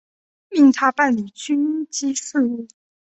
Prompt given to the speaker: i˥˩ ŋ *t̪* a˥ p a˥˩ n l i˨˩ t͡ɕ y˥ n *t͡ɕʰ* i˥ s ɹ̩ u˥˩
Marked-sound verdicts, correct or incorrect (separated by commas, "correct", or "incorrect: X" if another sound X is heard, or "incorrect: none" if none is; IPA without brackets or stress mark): incorrect: t̪ʰ, incorrect: t͡ɕ